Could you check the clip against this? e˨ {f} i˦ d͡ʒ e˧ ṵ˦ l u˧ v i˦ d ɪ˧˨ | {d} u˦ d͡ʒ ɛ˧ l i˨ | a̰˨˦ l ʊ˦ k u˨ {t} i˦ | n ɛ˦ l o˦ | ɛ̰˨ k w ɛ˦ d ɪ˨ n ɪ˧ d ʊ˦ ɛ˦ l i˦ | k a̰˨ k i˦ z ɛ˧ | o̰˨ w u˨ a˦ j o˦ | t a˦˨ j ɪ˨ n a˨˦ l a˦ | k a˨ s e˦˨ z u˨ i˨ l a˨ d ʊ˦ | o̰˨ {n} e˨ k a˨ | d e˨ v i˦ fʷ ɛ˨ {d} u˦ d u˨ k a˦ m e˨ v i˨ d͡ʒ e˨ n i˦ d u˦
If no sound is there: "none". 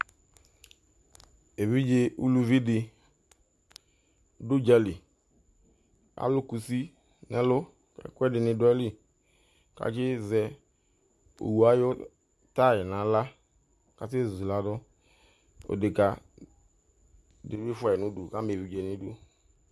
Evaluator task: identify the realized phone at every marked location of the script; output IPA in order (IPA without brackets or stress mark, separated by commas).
v, d, s, d, n